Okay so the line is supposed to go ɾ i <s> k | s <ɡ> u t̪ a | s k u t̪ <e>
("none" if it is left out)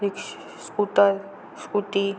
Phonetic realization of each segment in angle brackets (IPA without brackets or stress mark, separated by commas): none, k, i